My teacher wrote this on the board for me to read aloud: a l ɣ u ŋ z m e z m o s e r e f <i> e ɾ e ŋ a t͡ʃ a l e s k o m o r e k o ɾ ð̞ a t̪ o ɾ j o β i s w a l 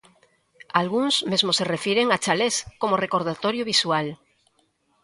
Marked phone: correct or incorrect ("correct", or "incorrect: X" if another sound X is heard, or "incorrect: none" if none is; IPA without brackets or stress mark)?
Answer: incorrect: j